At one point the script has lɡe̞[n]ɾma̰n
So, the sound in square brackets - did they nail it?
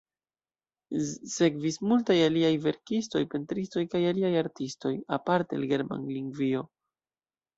no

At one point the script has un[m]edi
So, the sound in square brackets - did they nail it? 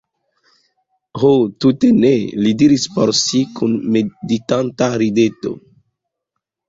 yes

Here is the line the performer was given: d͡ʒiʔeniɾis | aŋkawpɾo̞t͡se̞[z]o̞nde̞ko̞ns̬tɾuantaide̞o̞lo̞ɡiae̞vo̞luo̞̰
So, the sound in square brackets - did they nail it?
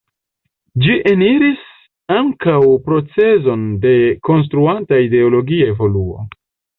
yes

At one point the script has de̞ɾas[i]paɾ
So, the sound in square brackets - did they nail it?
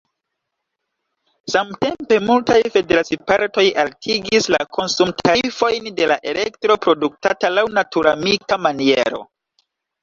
yes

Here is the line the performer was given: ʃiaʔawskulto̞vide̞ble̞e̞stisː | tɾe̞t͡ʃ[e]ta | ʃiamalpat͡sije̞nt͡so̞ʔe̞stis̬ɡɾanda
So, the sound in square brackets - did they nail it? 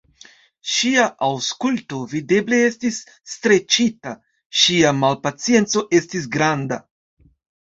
no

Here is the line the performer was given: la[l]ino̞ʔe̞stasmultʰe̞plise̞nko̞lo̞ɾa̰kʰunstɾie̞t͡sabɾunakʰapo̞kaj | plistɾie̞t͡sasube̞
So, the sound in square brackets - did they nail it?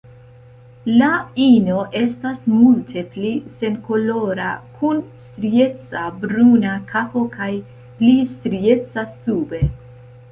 no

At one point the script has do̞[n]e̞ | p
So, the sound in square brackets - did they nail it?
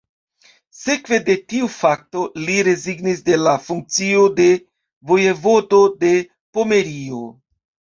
no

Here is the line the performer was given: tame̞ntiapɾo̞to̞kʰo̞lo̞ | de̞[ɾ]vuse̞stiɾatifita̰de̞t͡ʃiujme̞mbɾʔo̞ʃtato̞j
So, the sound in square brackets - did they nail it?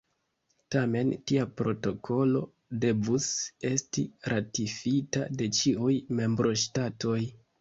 no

